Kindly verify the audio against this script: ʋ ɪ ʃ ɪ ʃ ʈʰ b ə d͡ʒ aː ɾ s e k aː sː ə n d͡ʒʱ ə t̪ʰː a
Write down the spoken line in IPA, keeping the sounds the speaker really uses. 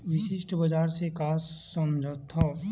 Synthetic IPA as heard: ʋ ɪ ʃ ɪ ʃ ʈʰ b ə d͡ʒ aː ɾ s e k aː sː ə m d͡ʒʱ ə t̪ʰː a